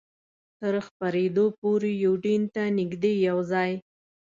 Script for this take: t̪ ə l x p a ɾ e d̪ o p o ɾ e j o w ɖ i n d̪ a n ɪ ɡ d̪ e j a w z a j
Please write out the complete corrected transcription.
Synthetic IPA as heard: t̪ ə ɾ x p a ɾ e d̪ o p o ɾ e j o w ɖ i n t̪ a n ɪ ɡ d̪ e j a w z ɑ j